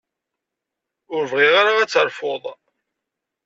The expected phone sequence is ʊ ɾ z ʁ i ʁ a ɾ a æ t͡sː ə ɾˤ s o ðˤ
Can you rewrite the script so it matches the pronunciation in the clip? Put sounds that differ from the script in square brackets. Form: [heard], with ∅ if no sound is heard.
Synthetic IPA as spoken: ʊ ɾ [v] ʁ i ʁ a ɾ a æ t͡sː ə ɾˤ [f] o ðˤ